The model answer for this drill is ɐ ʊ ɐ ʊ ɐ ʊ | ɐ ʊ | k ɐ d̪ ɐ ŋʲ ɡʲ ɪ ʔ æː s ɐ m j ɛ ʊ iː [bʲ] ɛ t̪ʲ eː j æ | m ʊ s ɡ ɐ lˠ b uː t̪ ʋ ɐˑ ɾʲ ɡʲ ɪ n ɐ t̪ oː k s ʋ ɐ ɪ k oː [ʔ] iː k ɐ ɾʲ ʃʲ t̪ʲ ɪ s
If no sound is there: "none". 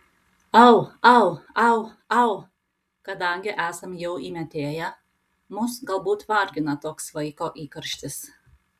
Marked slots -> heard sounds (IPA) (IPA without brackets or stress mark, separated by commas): mʲ, ʔ